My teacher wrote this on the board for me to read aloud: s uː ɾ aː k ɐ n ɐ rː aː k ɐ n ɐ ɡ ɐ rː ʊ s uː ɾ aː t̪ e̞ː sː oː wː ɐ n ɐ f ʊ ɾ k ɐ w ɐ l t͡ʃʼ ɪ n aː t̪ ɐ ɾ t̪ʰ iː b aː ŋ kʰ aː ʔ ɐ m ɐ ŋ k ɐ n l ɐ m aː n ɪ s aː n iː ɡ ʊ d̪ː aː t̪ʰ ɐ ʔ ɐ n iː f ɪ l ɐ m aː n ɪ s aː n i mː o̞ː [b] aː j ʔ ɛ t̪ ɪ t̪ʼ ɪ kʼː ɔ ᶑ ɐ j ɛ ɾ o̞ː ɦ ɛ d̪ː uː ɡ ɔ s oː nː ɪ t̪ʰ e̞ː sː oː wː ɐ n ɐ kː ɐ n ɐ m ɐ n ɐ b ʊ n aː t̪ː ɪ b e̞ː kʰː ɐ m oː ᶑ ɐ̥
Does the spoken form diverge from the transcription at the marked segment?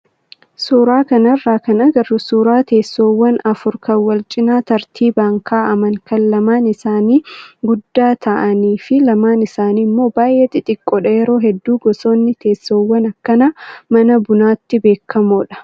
no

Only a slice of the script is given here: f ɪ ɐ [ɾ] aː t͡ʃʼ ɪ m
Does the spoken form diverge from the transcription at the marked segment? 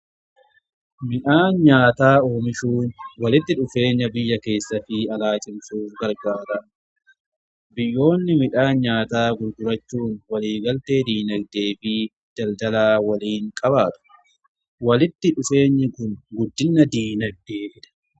yes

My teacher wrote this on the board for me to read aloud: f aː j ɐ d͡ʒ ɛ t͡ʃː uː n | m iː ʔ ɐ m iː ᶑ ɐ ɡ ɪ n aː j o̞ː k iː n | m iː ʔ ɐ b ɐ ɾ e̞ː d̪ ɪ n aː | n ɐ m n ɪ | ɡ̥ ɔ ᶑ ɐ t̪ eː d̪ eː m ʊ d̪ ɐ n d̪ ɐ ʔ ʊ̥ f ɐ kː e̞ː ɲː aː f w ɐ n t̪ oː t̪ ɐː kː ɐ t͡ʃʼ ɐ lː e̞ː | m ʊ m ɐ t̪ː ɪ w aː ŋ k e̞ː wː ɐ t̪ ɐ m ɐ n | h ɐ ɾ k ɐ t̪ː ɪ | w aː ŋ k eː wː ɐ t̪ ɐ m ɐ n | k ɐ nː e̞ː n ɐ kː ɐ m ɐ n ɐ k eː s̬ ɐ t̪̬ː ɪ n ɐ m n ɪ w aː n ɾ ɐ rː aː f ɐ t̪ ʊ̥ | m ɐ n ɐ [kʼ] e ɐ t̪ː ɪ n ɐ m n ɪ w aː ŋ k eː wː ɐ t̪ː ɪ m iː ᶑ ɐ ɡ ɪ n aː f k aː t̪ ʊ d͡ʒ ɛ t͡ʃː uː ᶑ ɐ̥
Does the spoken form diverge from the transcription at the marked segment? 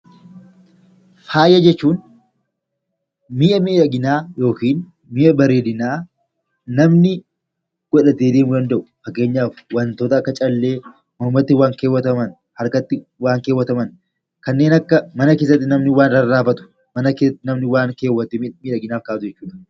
yes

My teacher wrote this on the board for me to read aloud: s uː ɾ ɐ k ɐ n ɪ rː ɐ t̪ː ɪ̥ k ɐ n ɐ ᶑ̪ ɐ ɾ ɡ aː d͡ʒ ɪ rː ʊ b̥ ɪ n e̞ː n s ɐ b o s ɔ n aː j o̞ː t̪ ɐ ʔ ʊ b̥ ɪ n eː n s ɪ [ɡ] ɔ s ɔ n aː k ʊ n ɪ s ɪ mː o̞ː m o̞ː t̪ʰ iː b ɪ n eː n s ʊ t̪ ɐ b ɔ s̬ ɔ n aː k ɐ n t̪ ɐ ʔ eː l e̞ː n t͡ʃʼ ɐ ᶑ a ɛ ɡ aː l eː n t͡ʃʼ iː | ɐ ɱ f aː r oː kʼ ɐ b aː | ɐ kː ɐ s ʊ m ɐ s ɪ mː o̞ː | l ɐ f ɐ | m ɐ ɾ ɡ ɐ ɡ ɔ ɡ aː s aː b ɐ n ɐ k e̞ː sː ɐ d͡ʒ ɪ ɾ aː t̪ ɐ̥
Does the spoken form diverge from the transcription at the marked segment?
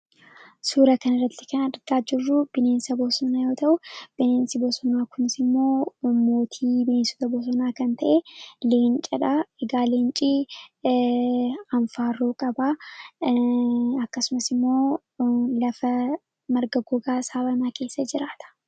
yes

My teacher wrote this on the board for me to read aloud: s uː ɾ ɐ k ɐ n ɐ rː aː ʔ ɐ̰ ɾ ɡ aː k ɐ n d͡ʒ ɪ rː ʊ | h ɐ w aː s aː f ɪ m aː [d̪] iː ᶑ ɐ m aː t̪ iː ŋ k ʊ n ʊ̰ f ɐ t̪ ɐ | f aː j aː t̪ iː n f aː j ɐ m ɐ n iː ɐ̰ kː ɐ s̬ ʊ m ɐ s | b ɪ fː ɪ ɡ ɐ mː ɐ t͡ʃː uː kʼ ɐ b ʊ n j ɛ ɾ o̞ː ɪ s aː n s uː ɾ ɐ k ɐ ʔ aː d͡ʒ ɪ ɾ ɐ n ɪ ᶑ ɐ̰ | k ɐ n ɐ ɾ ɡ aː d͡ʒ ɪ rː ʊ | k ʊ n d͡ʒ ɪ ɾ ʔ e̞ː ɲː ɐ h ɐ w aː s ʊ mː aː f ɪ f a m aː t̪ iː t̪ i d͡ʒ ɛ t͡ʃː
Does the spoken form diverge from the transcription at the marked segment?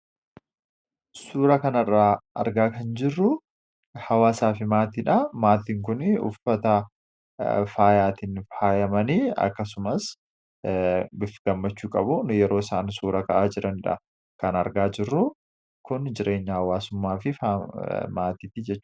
yes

